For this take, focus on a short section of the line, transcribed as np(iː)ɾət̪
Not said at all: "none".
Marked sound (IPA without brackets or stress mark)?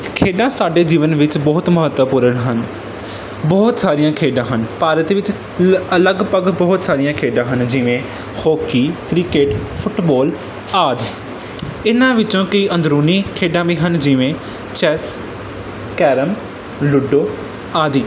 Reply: aː